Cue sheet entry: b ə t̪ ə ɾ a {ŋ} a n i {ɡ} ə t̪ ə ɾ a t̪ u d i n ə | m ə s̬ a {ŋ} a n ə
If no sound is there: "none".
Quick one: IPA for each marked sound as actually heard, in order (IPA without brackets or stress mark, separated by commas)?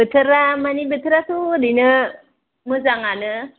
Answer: m, b, ŋ